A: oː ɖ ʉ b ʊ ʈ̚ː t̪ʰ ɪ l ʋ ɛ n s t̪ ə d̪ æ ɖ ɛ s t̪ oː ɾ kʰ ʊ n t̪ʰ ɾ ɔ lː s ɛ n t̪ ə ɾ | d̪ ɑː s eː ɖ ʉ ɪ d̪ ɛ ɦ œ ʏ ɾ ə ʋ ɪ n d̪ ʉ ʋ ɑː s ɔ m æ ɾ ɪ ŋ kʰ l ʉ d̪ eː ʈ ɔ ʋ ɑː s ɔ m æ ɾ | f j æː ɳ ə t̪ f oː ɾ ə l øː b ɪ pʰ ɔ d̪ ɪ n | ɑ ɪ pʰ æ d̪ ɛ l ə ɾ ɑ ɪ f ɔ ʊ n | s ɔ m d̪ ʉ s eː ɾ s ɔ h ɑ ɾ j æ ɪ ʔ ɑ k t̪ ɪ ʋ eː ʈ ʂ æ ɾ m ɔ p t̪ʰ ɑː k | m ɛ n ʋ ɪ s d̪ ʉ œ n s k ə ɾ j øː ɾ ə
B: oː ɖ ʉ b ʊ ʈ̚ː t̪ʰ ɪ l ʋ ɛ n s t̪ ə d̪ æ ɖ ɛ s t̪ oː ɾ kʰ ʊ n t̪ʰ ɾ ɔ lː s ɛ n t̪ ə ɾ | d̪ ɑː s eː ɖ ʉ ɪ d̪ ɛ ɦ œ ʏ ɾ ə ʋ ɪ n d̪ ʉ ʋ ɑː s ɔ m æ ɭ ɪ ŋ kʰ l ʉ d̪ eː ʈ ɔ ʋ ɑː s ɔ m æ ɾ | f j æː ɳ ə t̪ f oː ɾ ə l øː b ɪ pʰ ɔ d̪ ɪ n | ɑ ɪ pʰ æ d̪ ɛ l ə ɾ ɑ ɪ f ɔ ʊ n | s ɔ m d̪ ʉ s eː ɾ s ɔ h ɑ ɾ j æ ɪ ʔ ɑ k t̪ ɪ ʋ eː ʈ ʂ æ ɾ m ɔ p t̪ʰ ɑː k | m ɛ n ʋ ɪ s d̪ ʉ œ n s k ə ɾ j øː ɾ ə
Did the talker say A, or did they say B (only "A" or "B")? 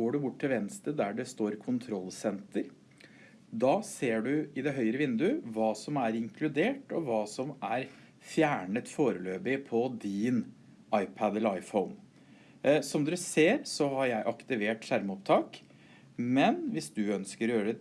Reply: A